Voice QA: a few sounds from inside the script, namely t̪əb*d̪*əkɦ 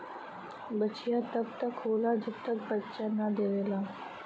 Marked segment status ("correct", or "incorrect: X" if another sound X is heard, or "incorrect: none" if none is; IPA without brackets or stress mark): incorrect: t̪